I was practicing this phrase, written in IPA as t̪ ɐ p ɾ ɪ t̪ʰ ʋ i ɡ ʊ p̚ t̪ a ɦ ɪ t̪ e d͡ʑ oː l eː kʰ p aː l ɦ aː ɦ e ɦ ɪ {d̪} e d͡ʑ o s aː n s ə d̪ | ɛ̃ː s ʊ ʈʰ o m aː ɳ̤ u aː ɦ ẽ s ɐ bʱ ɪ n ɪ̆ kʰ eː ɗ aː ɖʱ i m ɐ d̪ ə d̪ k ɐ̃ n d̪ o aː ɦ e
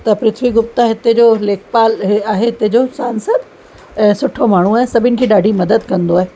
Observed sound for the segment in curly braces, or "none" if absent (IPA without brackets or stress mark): t̪